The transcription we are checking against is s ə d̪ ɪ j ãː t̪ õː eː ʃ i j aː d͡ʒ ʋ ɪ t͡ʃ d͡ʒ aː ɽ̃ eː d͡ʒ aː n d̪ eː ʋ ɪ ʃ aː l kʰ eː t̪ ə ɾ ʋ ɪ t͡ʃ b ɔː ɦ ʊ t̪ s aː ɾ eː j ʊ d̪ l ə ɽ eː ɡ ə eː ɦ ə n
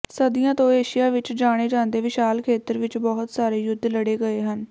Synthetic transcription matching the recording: s ə d̪ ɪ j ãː t̪ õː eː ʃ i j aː ʋ ɪ t͡ʃ d͡ʒ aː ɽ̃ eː d͡ʒ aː n d̪ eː ʋ ɪ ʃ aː l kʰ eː t̪ ə ɾ ʋ ɪ t͡ʃ b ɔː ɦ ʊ t̪ s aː ɾ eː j ʊ d̪ l ə ɽ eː ɡ ə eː ɦ ə n

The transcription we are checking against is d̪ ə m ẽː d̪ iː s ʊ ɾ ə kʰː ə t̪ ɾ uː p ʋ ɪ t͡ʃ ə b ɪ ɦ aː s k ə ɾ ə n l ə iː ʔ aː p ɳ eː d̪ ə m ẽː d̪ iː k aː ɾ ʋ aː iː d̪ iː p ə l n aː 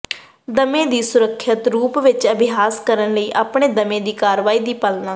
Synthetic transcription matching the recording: d̪ ə m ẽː d̪ iː s ʊ ɾ ə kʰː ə t̪ ɾ uː p ʋ ɪ t͡ʃ ə b ɪ ɦ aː s k ə ɾ ə n l ə iː ʔ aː p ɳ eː d̪ ə m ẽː d̪ iː k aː ɾ ʋ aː iː d̪ iː p ə l n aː

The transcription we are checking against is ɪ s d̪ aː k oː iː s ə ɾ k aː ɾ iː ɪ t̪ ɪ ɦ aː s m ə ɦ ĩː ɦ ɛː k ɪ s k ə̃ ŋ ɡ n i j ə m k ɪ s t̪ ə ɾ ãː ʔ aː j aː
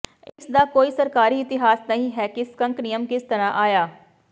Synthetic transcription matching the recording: ɪ s d̪ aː k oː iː s ə ɾ k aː ɾ iː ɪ t̪ ɪ ɦ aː s n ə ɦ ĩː ɦ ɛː k ɪ s k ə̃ ŋ k n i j ə m k ɪ s t̪ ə ɾ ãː ʔ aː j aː

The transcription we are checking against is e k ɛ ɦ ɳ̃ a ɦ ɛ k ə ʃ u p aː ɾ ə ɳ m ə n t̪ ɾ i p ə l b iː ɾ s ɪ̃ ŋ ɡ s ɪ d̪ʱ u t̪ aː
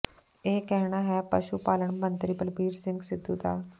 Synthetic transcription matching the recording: e k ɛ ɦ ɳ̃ a ɦ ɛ p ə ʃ u p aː l ə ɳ m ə n t̪ ɾ i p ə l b iː ɾ s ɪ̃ ŋ ɡ s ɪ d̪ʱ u t̪ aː

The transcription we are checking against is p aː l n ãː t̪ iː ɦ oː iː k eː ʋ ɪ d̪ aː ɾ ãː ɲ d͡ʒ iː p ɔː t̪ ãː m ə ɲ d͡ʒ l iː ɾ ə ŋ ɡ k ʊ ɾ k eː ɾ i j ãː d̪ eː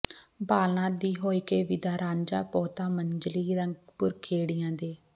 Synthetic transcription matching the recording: b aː l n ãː d̪ iː ɦ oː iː k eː ʋ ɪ d̪ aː ɾ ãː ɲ d͡ʒ aː p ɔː t̪ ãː m ə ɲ d͡ʒ l iː ɾ ə ŋ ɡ p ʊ ɾ kʰ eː ɽ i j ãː d̪ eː

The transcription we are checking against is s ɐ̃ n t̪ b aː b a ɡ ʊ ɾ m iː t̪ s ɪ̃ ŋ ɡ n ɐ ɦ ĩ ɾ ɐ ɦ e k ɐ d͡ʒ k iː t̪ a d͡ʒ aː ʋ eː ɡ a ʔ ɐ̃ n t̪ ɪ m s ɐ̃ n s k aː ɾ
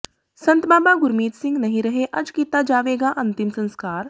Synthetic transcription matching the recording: s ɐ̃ n t̪ b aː b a ɡ ʊ ɾ m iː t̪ s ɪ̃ ŋ ɡ n ɐ ɦ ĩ ɾ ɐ ɦ e ʔ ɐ d͡ʒ k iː t̪ a d͡ʒ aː ʋ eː ɡ a ʔ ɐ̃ n t̪ ɪ m s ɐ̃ n s k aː ɾ

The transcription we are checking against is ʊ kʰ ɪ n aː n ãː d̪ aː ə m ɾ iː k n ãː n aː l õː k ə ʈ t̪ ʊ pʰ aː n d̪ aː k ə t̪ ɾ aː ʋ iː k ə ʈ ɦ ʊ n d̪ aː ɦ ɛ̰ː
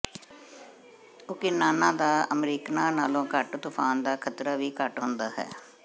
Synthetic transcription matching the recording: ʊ k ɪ n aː n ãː d̪ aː ə m ɾ iː k n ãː n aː l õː k ə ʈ t̪ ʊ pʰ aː n d̪ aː kʰ ə t̪ ɾ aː ʋ iː k ə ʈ ɦ ʊ n d̪ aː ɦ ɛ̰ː

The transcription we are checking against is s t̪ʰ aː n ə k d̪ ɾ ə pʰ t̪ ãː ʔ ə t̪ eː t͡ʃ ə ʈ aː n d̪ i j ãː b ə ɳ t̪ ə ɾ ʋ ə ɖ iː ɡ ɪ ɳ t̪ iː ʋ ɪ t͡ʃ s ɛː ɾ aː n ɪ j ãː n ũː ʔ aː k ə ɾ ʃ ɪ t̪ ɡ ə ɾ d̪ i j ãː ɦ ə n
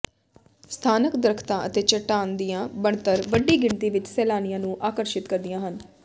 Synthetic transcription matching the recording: s t̪ʰ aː n ə k d̪ ɾ ə kʰ t̪ ãː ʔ ə t̪ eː t͡ʃ ə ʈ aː n d̪ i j ãː b ə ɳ t̪ ə ɾ ʋ ə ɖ iː ɡ ɪ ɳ t̪ iː ʋ ɪ t͡ʃ s ɛː l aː n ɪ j ãː n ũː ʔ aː k ə ɾ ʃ ɪ t̪ k ə ɾ d̪ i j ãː ɦ ə n

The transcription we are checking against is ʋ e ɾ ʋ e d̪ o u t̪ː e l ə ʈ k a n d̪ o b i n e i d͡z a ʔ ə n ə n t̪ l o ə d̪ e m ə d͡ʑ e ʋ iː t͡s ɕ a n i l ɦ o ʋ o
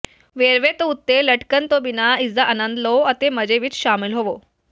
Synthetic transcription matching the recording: ʋ e ɾ ʋ e t̪ o u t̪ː e l ə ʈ k ə n t̪ o b i n a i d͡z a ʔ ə n ə n d̪ l o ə t̪ e m ə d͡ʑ e ʋ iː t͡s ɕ a m i l ɦ o ʋ o

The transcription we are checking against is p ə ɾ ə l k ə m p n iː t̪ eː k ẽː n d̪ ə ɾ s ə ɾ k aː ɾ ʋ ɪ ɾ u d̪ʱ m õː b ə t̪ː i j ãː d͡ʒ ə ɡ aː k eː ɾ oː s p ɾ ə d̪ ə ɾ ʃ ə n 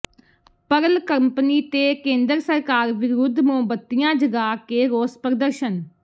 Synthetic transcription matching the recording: p ə ɾ ə l k ə m p n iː t̪ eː k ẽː n d̪ ə ɾ s ə ɾ k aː ɾ ʋ ɪ ɾ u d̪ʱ m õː b ə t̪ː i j ãː d͡ʒ ə ɡ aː k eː ɾ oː s p ɾ ə d̪ ə ɾ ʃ ə n

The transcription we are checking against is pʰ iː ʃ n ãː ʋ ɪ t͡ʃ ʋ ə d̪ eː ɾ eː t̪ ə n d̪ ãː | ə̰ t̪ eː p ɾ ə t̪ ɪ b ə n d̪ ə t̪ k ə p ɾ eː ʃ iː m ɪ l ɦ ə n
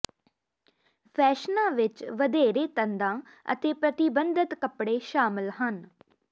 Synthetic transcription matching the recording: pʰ ɛː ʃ n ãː ʋ ɪ t͡ʃ ʋ ə d̪ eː ɾ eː t̪ ə n d̪ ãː | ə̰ t̪ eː p ɾ ə t̪ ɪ b ə n d̪ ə t̪ k ə p ɽ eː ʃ aː m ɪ l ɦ ə n

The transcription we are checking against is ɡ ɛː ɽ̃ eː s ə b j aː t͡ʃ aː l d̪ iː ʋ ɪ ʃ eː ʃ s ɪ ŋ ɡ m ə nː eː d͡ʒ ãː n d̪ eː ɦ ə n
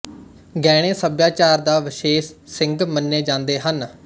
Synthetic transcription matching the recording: ɡ ɛː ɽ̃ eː s ə b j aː t͡ʃ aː ɾ d̪ aː ʋ ɪ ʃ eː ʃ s ɪ ŋ ɡ m ə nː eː d͡ʒ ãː n d̪ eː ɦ ə n

